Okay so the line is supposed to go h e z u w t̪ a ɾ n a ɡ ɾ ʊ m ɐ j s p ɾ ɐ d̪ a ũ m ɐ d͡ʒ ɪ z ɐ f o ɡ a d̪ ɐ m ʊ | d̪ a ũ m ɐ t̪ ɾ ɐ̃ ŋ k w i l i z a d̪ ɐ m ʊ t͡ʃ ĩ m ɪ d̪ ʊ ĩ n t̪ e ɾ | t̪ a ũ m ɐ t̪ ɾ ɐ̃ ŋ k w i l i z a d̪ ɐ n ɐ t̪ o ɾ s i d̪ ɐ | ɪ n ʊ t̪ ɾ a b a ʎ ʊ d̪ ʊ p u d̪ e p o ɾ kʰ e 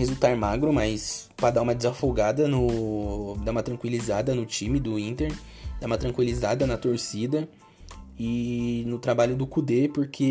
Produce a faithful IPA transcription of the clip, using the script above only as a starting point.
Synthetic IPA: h e z u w t̪ a ɾ m a ɡ ɾ ʊ m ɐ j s p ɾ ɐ d̪ a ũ m ɐ d͡ʒ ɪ z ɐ f o ɡ a d̪ ɐ n ʊ | d̪ a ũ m ɐ t̪ ɾ ɐ̃ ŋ k w i l i z a d̪ ɐ n ʊ t͡ʃ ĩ m ɪ d̪ ʊ ĩ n t̪ e ɾ | d̪ a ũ m ɐ t̪ ɾ ɐ̃ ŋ k w i l i z a d̪ ɐ n ɐ t̪ o ɾ s i d̪ ɐ | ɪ n ʊ t̪ ɾ a b a ʎ ʊ d̪ ʊ k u d̪ e p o ɾ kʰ e